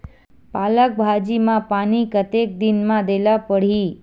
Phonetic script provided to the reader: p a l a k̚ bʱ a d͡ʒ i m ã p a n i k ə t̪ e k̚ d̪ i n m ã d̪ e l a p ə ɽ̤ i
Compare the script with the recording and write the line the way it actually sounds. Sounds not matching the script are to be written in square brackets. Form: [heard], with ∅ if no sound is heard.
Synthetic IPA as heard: p a l [ə] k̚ bʱ a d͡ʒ i m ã p a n i k ə t̪ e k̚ d̪ i n m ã d̪ e l a p ə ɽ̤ i